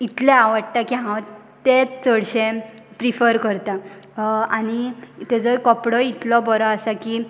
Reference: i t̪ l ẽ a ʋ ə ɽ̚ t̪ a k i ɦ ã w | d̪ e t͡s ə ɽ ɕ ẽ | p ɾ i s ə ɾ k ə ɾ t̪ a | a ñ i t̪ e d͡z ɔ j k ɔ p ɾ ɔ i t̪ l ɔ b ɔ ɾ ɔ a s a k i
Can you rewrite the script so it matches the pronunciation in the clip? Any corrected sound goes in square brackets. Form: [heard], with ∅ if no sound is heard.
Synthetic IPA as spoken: i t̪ l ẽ a ʋ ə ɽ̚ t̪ a k i ɦ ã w | [t̪] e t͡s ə ɽ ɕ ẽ | p ɾ i [f] ə ɾ k ə ɾ t̪ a | a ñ i t̪ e d͡z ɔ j k ɔ p [ɽ] ɔ i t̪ l ɔ b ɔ ɾ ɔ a s a k i